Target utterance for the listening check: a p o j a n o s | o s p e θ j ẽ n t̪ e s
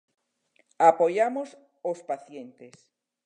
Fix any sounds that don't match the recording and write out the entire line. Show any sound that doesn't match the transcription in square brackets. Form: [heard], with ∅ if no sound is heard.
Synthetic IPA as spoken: a p o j a [m] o s | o s p [a] θ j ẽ n t̪ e s